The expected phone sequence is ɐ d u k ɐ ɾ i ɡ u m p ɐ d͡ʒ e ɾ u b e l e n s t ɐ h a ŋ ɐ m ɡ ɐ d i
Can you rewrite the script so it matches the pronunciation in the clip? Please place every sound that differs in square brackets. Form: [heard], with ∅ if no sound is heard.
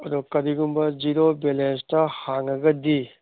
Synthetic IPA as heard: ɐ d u k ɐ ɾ i ɡ u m [b] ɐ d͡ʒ [i] ɾ [o] b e l e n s t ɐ h a ŋ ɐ [∅] ɡ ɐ d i